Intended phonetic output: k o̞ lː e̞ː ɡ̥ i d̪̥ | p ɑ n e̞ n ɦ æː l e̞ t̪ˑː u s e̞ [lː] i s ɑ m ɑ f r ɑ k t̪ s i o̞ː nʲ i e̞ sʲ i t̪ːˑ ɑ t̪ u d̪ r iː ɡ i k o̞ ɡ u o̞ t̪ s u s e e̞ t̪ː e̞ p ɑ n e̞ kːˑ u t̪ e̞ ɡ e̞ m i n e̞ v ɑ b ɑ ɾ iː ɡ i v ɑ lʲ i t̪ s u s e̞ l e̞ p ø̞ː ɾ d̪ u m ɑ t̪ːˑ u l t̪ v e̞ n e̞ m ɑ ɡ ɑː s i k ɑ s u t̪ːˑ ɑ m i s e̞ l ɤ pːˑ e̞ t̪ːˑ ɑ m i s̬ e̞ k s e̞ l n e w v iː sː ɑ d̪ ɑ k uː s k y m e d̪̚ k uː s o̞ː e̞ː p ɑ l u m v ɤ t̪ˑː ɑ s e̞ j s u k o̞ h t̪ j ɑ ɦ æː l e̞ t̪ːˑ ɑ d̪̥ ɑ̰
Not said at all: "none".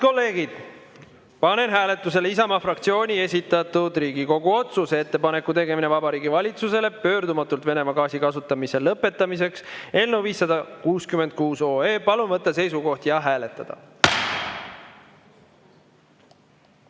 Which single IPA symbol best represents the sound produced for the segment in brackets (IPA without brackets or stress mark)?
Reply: l